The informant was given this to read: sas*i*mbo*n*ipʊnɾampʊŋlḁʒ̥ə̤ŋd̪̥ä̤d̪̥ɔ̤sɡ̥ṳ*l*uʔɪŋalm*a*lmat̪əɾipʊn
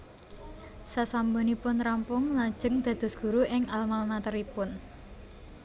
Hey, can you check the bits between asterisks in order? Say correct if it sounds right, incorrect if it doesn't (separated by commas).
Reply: incorrect, correct, incorrect, correct